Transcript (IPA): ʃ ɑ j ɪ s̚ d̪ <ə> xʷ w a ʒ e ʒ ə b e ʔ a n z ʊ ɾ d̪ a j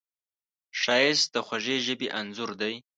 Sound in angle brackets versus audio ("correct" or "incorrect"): correct